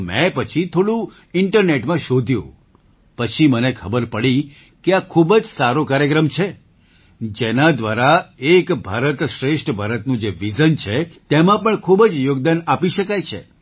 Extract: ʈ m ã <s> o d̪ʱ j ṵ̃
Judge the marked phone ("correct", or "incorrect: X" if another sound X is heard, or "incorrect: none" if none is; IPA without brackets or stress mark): incorrect: ʃ